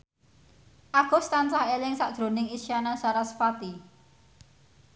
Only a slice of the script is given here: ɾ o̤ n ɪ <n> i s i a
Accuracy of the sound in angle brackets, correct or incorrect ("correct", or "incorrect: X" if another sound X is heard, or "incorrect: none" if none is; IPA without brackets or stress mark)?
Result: incorrect: ŋ